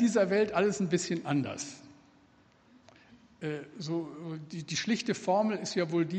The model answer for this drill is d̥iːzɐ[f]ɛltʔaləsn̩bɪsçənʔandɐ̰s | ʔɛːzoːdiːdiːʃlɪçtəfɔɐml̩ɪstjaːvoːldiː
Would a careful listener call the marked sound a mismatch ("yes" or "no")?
yes